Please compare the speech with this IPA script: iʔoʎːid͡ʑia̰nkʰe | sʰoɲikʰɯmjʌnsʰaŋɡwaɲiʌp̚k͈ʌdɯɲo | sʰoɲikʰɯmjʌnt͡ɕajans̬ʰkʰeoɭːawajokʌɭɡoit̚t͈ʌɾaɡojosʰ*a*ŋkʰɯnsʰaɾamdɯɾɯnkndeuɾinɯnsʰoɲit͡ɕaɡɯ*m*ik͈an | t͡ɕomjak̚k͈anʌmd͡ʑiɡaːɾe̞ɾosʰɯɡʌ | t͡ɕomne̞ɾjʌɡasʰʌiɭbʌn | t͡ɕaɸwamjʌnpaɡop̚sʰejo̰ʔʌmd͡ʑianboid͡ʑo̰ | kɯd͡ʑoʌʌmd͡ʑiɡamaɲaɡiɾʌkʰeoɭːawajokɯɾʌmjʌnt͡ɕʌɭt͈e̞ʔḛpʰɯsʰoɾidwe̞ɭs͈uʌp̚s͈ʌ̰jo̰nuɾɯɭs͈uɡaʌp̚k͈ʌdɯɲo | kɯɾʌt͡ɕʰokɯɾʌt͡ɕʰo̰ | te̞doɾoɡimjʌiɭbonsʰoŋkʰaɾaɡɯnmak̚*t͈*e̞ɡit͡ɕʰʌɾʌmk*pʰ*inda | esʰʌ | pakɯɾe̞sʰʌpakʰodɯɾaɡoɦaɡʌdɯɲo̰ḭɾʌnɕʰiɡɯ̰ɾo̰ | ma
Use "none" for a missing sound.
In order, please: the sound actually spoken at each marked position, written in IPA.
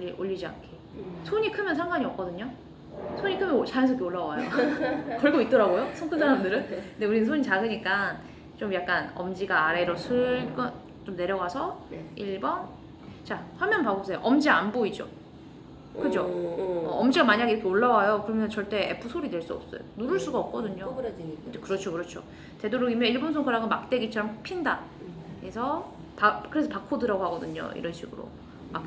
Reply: ʌ, ɲ, t͈, pʰ

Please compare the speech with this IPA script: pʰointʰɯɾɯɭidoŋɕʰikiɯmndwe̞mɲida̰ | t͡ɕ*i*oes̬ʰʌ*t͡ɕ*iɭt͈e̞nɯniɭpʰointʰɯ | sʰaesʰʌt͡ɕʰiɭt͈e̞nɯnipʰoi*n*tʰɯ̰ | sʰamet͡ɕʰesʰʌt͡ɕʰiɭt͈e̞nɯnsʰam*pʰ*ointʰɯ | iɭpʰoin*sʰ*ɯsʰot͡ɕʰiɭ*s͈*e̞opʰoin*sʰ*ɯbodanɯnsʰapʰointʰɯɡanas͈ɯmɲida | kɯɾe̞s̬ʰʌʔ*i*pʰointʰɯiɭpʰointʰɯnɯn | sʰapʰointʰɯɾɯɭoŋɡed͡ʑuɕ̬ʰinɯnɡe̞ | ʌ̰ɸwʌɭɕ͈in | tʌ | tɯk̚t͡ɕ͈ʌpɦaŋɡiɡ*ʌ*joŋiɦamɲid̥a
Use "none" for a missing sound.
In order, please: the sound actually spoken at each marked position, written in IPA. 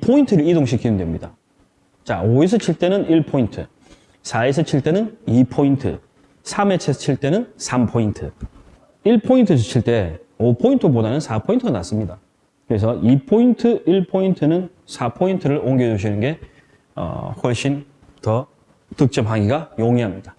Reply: a, t͡ɕʰ, n, pʰ, tʰ, t͈, tʰ, i, a

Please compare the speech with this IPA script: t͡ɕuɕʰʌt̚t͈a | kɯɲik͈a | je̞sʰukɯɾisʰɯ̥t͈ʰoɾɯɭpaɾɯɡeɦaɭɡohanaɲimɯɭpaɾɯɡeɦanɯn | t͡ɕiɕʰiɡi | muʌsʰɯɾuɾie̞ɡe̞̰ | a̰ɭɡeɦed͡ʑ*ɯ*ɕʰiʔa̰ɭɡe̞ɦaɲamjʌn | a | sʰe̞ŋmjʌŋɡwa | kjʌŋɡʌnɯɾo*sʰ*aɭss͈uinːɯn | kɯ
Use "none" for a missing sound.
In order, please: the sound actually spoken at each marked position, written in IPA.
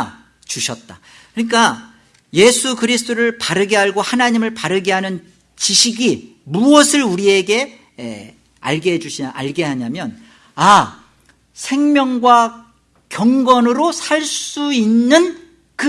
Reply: u, sʰ

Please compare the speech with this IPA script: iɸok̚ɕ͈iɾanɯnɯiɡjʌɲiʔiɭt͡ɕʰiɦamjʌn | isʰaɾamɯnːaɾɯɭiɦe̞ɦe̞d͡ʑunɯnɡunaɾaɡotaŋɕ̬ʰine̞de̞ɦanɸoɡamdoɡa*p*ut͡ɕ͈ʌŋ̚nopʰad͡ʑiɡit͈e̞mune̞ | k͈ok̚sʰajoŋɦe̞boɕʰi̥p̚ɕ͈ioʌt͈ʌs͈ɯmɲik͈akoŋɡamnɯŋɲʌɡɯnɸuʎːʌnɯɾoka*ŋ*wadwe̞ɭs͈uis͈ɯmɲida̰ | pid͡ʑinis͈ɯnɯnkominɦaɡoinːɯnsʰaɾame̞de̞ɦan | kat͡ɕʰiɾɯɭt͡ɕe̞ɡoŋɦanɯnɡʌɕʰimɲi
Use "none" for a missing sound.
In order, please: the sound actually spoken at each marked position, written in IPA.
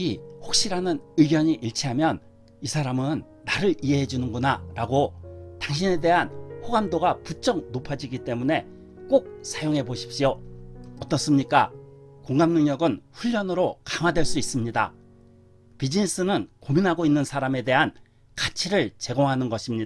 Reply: p, ŋ

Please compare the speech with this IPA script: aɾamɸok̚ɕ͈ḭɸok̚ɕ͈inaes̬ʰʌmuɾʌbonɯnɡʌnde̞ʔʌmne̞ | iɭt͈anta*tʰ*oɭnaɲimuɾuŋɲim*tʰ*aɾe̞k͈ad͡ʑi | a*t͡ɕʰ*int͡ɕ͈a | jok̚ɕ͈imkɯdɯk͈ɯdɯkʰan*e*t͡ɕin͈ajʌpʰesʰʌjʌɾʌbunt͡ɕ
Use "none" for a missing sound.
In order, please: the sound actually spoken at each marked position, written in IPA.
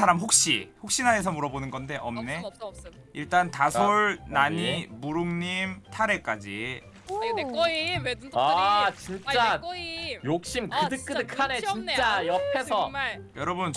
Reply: sʰ, tʰ, t͡ɕ, e

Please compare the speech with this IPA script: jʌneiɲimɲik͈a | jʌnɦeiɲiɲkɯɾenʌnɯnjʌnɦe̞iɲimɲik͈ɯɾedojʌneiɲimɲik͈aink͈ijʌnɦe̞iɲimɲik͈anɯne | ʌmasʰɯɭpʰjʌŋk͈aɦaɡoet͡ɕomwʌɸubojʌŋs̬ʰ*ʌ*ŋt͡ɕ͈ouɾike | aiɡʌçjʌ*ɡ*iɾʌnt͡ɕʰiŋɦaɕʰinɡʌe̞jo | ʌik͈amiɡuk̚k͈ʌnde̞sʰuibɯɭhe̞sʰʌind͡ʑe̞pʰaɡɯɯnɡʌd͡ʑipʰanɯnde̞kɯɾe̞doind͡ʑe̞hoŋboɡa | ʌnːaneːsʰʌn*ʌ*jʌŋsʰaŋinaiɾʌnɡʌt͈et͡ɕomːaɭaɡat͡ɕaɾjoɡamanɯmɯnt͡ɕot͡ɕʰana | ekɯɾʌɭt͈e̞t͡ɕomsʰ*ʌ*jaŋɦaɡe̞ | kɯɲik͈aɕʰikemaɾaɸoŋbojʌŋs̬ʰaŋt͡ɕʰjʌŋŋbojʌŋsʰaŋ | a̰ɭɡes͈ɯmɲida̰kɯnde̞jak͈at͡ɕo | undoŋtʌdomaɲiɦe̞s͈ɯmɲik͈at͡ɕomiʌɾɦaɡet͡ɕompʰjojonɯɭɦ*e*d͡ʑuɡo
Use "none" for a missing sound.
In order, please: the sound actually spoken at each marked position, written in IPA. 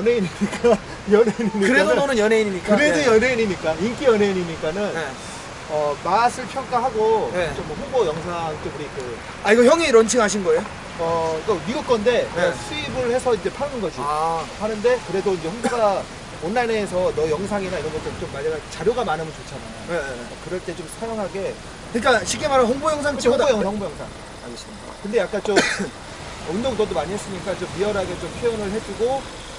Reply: a, ŋ, ʌ, a, e

